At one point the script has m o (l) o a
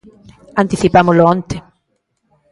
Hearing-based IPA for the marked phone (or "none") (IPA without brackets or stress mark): l